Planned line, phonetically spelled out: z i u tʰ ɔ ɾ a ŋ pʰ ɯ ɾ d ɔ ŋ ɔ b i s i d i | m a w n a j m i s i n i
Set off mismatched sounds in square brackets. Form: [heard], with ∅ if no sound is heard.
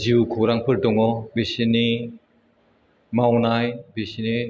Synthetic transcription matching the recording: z i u [kʰ] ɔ ɾ a ŋ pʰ ɯ ɾ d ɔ ŋ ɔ b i s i [n] i | m a w n a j [b] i s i n i